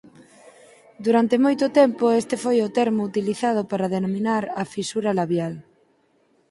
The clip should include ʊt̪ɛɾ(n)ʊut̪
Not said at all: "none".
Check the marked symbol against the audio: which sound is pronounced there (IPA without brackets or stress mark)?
m